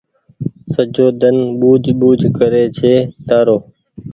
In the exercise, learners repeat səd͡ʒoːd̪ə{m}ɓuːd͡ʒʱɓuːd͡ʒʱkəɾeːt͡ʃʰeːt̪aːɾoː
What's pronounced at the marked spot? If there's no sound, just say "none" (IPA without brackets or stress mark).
n